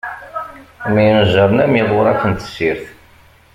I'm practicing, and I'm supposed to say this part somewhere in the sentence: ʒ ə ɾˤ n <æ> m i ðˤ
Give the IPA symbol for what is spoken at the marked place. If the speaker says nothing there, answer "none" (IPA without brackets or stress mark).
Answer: æ